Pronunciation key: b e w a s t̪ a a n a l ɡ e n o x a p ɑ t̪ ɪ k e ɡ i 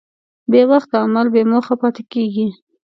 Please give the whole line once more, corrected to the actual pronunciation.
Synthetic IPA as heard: b e w a x t̪ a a m a l b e m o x a p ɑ t̪ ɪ k e ɡ i